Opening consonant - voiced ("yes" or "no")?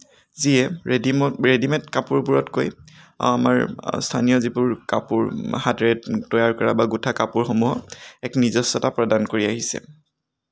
yes